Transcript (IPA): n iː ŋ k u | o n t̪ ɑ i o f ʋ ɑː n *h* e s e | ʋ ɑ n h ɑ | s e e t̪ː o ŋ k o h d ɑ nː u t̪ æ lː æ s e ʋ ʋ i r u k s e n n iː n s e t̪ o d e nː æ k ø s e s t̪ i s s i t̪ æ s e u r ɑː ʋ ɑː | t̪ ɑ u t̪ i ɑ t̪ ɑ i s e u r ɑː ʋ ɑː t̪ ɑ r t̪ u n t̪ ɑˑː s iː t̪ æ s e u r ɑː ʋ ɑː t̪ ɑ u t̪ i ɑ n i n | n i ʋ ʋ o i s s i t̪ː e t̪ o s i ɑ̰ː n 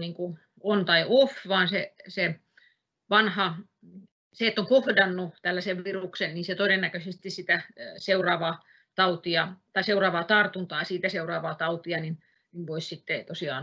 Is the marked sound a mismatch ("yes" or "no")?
yes